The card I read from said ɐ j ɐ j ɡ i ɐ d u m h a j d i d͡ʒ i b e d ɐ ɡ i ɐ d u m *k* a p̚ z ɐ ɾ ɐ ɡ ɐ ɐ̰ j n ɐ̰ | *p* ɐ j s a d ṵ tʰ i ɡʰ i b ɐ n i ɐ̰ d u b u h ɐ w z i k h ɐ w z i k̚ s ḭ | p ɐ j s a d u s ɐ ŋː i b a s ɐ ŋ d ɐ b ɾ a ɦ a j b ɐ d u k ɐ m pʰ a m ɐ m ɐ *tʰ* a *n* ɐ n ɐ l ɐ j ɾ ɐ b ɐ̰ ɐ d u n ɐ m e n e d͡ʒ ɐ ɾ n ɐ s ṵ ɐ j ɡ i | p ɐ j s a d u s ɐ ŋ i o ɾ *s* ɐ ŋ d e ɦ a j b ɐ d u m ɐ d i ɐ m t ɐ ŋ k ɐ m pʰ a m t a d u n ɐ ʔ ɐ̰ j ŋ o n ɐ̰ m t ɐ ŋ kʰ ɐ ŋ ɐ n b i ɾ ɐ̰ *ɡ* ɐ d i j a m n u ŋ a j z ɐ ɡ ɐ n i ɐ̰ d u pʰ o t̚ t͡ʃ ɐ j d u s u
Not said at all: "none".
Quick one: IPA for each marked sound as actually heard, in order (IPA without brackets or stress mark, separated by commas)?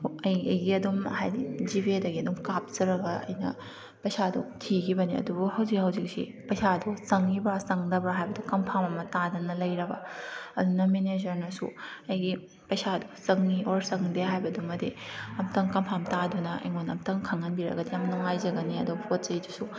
k, p, t, d, s, ɡ